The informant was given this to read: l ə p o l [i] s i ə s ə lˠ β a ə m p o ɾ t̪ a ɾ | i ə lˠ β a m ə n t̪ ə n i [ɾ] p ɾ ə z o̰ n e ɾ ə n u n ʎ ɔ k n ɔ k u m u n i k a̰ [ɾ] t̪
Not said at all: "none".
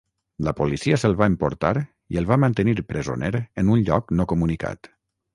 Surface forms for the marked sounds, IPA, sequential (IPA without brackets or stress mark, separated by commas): i, ɾ, none